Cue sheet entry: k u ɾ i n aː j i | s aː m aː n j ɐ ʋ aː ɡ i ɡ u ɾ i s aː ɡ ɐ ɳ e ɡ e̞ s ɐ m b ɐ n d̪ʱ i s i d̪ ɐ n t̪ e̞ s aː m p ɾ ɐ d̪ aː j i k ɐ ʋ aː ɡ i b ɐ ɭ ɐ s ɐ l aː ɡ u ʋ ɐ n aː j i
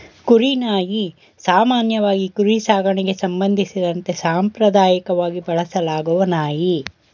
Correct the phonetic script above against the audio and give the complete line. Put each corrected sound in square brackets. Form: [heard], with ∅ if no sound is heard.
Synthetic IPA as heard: k u ɾ i n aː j i | s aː m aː n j ɐ ʋ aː ɡ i [k] u ɾ i s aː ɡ ɐ ɳ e ɡ e̞ s ɐ m b ɐ n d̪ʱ i s i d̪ ɐ n t̪ e̞ s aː m p ɾ ɐ d̪ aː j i k ɐ ʋ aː ɡ i b ɐ ɭ ɐ s ɐ l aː ɡ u ʋ ɐ n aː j i

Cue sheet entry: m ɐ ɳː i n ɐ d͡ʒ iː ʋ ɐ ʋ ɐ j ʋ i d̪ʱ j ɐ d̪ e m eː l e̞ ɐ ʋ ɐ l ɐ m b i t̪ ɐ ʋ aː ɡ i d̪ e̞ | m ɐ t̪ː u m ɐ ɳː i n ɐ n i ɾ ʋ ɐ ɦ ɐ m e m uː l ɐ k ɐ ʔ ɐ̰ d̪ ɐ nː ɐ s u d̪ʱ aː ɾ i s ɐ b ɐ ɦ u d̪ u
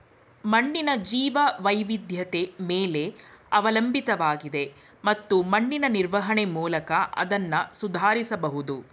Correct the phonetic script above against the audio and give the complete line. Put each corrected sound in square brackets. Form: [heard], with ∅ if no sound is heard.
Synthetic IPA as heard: m ɐ ɳː i n ɐ d͡ʒ iː ʋ ɐ ʋ ɐ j ʋ i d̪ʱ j ɐ [t̪] e m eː l e̞ ɐ ʋ ɐ l ɐ m b i t̪ ɐ ʋ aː ɡ i d̪ e̞ | m ɐ t̪ː u m ɐ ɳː i n ɐ n i ɾ ʋ ɐ ɦ ɐ [ɳ] e m uː l ɐ k ɐ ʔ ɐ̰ d̪ ɐ nː ɐ s u d̪ʱ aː ɾ i s ɐ b ɐ ɦ u d̪ u

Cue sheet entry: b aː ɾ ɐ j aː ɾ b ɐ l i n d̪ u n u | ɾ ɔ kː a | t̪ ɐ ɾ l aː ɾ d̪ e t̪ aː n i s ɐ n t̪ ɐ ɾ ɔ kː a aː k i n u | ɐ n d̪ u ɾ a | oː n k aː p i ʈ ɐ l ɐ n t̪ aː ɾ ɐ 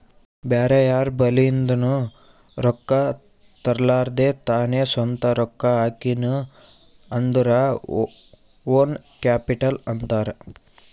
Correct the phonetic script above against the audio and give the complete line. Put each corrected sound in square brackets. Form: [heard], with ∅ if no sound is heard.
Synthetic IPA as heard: b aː ɾ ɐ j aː ɾ b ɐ l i n d̪ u n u | ɾ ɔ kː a | t̪ ɐ ɾ l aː ɾ d̪ e t̪ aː n [e] s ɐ n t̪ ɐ ɾ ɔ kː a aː k i n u | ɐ n d̪ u ɾ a | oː n k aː p i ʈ ɐ l ɐ n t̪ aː ɾ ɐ

